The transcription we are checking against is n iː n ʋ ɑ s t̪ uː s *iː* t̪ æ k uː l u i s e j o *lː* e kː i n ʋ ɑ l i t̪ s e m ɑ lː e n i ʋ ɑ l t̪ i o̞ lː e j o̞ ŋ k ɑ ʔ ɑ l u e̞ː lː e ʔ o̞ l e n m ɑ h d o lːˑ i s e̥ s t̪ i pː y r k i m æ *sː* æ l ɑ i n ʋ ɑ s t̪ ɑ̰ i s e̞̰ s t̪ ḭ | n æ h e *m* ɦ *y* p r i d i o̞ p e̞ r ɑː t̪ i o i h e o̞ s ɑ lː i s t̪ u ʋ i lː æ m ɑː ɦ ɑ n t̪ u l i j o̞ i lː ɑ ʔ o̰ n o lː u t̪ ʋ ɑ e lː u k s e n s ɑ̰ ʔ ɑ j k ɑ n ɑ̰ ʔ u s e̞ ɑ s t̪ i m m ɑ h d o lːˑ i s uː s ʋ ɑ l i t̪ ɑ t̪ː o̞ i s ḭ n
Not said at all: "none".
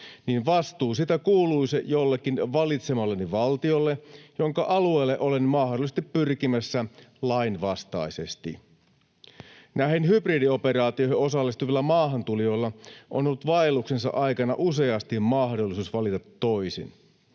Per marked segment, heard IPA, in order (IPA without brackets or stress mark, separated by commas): i, lː, sː, n, y